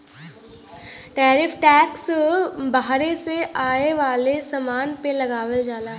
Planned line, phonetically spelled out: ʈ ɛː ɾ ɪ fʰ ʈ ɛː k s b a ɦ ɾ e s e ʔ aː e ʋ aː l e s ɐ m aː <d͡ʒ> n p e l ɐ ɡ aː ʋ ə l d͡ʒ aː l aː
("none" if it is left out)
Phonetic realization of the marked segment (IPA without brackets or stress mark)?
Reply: none